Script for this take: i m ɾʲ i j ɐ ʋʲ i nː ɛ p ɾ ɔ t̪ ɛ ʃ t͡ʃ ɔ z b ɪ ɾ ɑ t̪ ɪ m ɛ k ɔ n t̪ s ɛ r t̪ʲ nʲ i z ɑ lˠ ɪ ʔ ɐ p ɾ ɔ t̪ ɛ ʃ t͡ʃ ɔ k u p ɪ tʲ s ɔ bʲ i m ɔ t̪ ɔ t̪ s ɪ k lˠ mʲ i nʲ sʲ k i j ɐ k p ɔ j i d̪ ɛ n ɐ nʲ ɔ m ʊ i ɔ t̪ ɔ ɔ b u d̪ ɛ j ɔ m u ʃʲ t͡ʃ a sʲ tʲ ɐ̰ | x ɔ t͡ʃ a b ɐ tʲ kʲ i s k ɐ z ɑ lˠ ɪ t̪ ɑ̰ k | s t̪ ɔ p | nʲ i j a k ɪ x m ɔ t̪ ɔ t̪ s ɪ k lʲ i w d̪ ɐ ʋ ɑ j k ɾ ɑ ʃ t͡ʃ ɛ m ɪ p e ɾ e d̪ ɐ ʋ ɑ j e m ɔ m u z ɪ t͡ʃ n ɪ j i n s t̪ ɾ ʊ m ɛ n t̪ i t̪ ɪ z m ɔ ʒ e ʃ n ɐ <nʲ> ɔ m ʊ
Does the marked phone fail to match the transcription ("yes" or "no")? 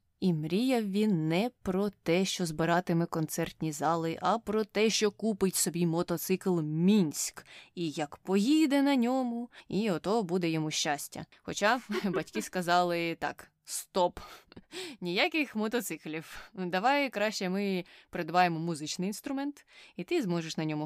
no